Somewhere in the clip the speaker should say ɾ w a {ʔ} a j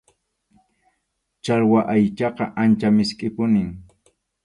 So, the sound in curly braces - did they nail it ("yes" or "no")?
yes